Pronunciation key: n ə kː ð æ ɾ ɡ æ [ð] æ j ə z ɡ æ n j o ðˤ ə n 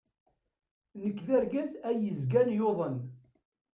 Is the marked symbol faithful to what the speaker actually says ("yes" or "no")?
no